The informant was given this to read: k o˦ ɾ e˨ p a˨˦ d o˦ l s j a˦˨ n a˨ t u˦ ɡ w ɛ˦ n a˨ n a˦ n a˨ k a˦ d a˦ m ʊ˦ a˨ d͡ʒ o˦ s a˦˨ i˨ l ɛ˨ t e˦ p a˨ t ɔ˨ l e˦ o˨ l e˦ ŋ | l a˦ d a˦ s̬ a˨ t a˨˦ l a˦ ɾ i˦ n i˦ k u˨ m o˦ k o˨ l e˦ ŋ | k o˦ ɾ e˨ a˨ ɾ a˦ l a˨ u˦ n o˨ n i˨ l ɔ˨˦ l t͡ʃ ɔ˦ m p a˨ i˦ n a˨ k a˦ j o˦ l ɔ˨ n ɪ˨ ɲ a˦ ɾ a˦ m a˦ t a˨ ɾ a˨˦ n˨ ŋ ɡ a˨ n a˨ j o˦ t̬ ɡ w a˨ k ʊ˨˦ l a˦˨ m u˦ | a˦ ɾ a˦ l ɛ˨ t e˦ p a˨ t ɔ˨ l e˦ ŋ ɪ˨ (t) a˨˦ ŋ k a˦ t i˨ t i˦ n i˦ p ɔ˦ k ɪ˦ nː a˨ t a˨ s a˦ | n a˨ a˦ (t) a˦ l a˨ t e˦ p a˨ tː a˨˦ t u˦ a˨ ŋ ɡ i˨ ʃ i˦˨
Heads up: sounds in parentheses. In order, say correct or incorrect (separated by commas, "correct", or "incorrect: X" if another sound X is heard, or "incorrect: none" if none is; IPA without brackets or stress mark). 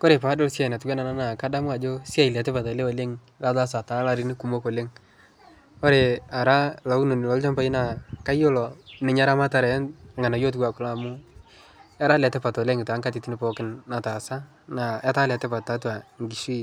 correct, correct